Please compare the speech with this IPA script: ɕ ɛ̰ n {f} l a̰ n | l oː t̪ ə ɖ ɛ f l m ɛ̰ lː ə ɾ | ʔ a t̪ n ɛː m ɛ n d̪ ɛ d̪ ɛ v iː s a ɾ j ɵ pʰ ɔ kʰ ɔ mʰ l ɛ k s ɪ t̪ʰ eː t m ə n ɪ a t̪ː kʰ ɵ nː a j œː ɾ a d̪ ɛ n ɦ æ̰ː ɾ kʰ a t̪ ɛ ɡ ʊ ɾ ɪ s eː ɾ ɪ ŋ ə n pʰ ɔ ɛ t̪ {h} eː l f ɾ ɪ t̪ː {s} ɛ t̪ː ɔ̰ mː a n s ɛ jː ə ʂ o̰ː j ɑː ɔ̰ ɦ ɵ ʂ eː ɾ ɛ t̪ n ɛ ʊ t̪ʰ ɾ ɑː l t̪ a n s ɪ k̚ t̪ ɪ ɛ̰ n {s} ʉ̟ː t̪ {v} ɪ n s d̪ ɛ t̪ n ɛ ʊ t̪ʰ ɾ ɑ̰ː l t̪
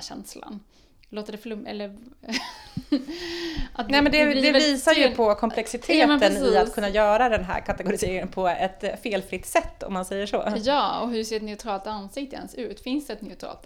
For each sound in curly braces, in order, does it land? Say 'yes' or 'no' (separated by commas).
no, no, yes, yes, no